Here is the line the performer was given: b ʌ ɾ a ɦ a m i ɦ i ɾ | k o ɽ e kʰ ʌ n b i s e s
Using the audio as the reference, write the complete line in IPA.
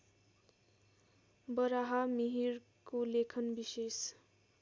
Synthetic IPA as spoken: b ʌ ɾ a ɦ a m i ɦ i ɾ | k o l e kʰ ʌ n b i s e s